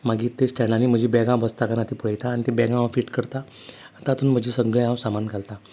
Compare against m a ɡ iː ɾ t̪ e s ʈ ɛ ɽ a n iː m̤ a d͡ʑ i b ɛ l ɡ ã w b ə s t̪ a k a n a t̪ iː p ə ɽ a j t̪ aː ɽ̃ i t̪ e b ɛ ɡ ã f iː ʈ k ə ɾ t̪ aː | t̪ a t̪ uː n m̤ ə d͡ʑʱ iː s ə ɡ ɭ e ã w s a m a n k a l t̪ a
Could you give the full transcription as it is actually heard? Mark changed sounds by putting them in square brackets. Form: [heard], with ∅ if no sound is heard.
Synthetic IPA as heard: m a ɡ iː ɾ t̪ e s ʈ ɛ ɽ a n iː m̤ [ə] d͡ʑ i b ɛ [∅] ɡ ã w b ə s t̪ a k a n a t̪ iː p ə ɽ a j t̪ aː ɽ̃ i t̪ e b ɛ ɡ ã f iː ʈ k ə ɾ t̪ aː | t̪ a t̪ uː n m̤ ə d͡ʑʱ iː s ə ɡ ɭ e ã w s a m a n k a l t̪ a